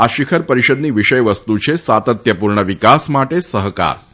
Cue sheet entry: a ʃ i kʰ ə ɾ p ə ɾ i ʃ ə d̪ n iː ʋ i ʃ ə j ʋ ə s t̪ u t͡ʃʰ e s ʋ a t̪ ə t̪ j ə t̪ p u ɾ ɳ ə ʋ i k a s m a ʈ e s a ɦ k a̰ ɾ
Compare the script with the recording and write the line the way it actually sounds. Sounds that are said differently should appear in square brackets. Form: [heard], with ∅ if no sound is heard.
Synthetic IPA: a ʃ i kʰ ə ɾ p ə ɾ i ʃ ə d̪ n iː ʋ i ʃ ə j ʋ ə s t̪ u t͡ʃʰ e s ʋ a t̪ ə t̪ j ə [∅] p u ɾ ɳ ə ʋ i k a s m a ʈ e s [ə] ɦ k a̰ ɾ